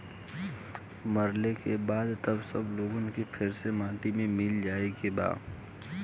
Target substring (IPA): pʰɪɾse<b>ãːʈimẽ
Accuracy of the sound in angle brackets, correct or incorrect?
incorrect